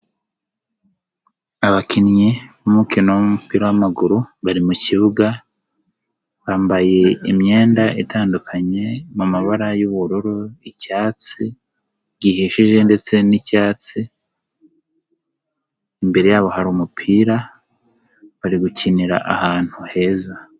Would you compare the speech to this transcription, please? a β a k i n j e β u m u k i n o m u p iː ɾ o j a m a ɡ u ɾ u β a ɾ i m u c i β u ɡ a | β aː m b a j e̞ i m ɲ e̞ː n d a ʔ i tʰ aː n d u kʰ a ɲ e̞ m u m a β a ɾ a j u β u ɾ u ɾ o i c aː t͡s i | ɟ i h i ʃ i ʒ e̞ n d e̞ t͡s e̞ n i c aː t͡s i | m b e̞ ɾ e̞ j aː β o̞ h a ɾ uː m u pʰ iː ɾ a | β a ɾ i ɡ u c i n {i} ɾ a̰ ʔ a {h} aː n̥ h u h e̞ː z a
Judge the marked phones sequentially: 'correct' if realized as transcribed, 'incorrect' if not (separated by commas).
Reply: correct, correct